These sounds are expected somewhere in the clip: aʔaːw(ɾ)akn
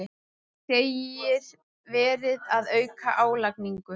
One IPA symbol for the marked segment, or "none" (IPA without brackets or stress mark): l